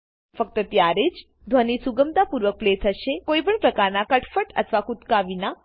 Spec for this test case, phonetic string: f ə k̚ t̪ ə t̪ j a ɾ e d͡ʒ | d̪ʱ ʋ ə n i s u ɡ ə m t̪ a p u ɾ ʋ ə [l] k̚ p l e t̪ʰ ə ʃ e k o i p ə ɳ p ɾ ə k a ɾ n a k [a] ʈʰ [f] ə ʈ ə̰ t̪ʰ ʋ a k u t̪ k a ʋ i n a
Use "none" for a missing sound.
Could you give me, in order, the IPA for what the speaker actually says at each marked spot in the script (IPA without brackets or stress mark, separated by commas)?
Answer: none, ə, f